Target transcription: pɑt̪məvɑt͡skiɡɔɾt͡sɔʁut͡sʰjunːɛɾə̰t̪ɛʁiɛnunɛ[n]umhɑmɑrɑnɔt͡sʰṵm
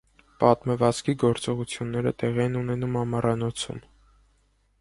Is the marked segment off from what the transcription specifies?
no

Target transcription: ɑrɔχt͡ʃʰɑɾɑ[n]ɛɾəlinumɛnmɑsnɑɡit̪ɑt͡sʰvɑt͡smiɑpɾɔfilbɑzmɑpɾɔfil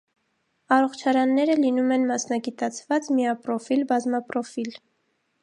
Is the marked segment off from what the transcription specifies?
yes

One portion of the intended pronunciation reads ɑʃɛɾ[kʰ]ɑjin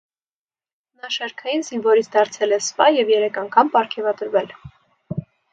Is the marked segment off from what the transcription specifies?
no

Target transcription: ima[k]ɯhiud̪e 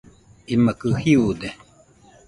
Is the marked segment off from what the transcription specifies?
no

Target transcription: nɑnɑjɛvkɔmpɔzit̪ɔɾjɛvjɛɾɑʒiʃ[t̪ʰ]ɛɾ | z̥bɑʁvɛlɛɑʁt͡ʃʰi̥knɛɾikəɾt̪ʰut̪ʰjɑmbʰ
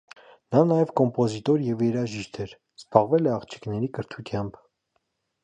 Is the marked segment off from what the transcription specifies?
no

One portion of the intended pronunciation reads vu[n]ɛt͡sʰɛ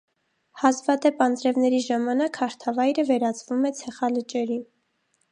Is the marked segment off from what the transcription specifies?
yes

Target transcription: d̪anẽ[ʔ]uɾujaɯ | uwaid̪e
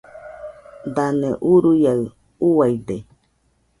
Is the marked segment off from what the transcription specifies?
no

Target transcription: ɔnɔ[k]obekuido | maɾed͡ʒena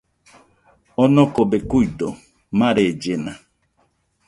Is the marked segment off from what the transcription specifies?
no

